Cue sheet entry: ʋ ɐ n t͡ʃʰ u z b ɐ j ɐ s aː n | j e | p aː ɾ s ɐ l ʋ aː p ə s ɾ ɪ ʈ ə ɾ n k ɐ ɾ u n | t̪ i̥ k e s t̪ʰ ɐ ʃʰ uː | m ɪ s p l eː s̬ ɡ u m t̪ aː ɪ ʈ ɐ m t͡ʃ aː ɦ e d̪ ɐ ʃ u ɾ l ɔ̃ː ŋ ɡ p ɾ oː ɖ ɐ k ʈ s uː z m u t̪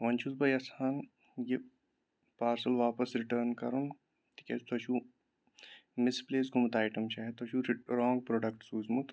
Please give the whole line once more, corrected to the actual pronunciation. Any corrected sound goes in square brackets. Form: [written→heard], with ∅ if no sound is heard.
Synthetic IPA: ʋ ɐ n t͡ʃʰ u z b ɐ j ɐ s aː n | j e | p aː ɾ s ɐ l ʋ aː p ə s ɾ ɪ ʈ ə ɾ n k ɐ ɾ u n | t̪ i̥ k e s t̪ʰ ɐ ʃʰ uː | m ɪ s p l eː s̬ ɡ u m t̪ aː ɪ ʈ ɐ m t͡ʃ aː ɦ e [d̪→t̪] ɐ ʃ u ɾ [l→ɾ] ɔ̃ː ŋ ɡ p ɾ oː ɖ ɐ k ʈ s uː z m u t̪